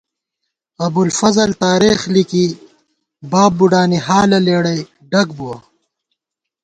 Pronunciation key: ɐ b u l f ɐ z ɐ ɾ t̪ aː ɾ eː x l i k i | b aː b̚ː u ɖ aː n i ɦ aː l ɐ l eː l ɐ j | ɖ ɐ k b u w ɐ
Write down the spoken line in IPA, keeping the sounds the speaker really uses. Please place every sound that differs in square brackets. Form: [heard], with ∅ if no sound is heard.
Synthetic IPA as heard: ɐ b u l f ɐ z ɐ [l] t̪ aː ɾ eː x l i k i | b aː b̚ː u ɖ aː n i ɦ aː l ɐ l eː [ɽ] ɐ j | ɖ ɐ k b u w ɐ